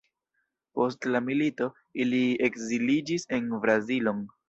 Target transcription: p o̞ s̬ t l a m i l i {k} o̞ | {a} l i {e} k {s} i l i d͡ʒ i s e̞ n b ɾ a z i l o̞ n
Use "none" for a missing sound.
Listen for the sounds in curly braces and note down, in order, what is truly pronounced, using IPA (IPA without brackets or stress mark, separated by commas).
t, i, e, z